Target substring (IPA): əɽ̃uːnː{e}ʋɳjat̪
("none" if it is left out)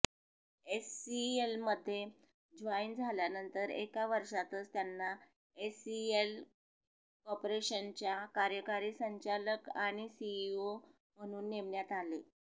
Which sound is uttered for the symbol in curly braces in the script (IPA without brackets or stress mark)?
e